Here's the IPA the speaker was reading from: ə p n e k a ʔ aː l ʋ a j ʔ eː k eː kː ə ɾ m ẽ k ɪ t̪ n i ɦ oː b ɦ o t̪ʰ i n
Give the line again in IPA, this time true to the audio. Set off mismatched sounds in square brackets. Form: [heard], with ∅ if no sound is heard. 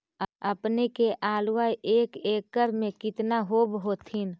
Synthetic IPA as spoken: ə p n e k [e] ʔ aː l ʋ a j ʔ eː k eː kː ə ɾ m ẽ k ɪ t̪ n [a] ɦ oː b ɦ o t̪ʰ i n